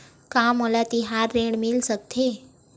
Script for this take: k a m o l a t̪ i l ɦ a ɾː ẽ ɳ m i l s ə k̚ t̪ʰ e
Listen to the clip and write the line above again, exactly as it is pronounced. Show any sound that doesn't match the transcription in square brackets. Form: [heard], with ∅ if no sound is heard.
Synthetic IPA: k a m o l a t̪ i [∅] ɦ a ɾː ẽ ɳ m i l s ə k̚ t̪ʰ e